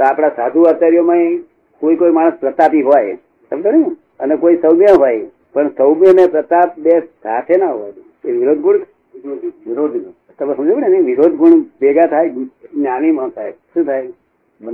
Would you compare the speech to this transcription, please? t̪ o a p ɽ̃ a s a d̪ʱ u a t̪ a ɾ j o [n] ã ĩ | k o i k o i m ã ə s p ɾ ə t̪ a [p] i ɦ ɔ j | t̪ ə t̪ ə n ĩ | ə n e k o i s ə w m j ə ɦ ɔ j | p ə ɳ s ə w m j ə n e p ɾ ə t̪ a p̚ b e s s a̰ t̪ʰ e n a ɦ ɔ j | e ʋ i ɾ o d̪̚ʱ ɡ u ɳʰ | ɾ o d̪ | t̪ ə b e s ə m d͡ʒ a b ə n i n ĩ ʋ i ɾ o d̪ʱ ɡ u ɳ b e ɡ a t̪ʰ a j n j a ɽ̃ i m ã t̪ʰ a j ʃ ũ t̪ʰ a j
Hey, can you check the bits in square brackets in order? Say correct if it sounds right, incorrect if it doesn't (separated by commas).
incorrect, correct